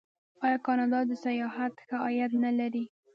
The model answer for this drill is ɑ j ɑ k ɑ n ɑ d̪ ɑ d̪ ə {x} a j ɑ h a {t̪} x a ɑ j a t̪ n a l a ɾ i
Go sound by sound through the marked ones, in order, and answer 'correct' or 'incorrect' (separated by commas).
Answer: incorrect, correct